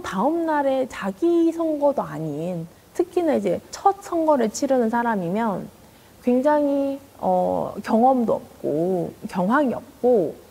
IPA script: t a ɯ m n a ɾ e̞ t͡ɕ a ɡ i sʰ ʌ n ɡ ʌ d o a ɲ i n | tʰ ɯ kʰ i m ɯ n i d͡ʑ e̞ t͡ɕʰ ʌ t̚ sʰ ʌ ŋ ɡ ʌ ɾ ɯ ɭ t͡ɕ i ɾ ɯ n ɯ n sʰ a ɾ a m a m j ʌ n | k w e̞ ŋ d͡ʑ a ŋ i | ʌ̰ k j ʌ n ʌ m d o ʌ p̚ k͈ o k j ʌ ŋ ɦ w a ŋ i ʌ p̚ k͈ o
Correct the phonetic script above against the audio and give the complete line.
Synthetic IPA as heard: t a ɯ m n a ɾ e̞ t͡ɕ a ɡ i sʰ ʌ ŋ ɡ ʌ d o a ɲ i n | tʰ ɯ kʰ i n ɯ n i d͡ʑ e̞ t͡ɕʰ ʌ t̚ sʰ ʌ ŋ ɡ ʌ ɾ ɯ ɭ t͡ɕʰ i ɾ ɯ n ɯ n sʰ a ɾ a m i m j ʌ n | k w e̞ ŋ d͡ʑ a ŋ i | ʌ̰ k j ʌ ŋ ʌ m d o ʌ p̚ k͈ o k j ʌ ŋ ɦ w a ŋ i ʌ p̚ k͈ o